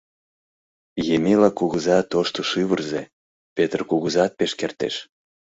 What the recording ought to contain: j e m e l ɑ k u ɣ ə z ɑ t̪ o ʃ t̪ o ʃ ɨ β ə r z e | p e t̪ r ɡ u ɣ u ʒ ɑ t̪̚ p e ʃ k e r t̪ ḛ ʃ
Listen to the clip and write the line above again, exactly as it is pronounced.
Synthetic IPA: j e m e l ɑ k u ɣ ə z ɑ t̪ o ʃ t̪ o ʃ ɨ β ə r z e | p e t̪ r k u ɣ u z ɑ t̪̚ p e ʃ k e r t̪ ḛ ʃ